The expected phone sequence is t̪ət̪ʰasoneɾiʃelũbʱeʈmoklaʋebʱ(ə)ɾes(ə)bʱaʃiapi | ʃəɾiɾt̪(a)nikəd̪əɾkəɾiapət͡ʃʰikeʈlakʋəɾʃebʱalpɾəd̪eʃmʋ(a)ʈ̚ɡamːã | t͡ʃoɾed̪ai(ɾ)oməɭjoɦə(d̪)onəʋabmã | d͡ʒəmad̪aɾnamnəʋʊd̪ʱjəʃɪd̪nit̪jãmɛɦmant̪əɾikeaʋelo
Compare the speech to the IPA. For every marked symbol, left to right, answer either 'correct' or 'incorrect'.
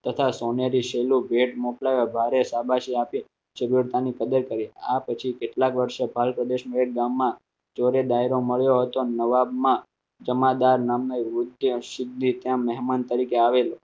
incorrect: a, incorrect: a, correct, incorrect: e, correct, incorrect: t̪

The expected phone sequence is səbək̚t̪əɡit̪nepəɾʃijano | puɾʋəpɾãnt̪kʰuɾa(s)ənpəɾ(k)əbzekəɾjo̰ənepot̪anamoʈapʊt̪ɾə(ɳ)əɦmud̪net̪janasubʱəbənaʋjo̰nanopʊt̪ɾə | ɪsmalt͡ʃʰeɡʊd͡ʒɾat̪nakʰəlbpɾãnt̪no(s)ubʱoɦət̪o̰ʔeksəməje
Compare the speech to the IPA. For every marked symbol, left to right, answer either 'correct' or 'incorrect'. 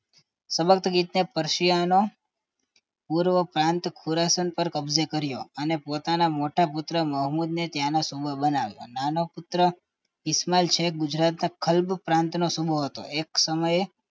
correct, correct, incorrect: m, correct

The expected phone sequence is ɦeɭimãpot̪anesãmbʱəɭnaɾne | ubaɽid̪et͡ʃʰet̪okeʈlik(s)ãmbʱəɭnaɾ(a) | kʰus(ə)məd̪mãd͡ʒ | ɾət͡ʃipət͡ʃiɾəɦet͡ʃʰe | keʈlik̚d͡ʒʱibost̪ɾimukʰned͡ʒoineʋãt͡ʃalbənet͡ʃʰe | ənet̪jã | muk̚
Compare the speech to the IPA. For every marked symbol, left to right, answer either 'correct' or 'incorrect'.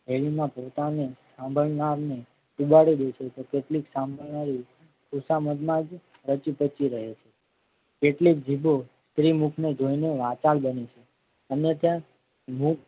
correct, incorrect: i, incorrect: a

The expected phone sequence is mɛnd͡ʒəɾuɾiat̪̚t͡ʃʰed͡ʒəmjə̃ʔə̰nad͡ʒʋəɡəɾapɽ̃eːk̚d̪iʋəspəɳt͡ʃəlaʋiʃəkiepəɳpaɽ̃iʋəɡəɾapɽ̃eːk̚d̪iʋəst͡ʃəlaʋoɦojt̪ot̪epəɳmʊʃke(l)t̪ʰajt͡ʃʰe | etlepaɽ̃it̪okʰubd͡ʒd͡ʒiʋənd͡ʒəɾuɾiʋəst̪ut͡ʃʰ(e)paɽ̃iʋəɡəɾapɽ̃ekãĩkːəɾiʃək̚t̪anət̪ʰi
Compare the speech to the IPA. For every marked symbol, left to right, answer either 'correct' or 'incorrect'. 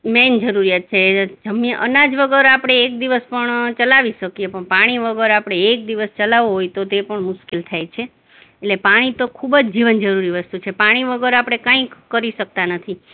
correct, correct

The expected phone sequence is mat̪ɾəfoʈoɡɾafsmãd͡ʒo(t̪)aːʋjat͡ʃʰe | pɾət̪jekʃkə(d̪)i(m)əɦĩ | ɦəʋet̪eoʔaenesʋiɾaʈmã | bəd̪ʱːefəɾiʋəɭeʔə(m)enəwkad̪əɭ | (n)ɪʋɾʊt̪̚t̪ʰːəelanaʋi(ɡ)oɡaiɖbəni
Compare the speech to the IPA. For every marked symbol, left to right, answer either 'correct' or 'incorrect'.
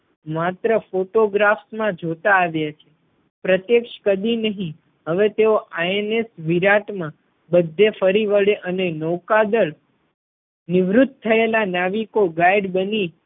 correct, correct, incorrect: n, incorrect: n, correct, incorrect: k

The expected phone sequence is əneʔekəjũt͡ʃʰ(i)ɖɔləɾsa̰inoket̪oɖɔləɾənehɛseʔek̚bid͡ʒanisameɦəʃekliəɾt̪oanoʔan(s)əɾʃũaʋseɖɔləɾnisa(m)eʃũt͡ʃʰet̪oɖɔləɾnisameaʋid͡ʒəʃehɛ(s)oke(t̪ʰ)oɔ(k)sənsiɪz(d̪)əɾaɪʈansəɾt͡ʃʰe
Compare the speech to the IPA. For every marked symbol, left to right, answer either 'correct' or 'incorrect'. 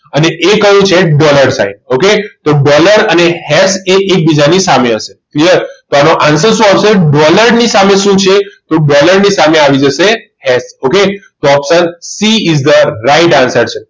incorrect: e, correct, correct, correct, incorrect: t̪, incorrect: p, correct

